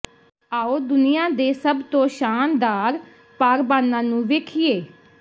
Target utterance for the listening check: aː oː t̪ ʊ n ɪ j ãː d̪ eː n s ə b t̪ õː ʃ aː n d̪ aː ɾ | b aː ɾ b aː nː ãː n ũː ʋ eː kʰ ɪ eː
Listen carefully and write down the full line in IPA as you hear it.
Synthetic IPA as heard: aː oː d̪ ʊ n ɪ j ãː d̪ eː s ə b t̪ õː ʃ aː n d̪ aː ɾ | p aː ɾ b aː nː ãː n ũː ʋ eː kʰ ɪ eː